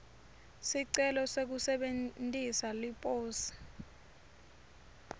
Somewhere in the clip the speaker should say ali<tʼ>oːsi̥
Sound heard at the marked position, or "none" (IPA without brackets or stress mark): pʼ